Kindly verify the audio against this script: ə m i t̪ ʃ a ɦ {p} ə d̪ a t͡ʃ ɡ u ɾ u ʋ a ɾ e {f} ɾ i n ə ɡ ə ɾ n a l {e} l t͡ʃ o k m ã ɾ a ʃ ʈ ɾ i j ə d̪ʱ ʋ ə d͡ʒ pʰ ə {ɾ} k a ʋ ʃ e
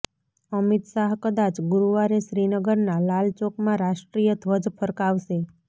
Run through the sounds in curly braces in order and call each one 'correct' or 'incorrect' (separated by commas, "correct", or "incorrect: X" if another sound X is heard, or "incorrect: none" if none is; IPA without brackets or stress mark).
incorrect: k, incorrect: ʃ, incorrect: a, correct